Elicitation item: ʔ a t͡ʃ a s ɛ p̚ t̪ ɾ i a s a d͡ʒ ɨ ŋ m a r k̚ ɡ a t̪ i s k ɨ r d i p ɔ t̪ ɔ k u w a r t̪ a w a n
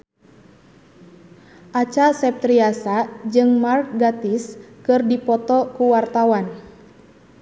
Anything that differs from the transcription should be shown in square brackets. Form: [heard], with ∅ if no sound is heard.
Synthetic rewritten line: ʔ a t͡ʃ a s ɛ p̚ t̪ ɾ i a s a d͡ʒ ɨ ŋ m a r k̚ ɡ a t̪ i s k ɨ r d i p ɔ t̪ ɔ k u w a r t̪ a w a n